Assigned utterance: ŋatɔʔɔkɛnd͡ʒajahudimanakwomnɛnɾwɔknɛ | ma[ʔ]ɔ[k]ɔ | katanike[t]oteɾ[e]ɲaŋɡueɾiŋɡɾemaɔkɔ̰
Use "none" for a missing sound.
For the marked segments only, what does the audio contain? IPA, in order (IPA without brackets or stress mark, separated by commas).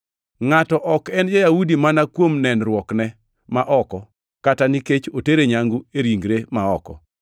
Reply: ʔ, k, t͡ʃ, e